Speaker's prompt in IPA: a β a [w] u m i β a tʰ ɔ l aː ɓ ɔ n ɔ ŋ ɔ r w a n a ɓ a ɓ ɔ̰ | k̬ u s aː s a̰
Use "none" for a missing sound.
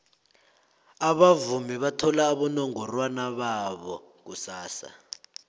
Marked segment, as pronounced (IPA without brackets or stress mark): v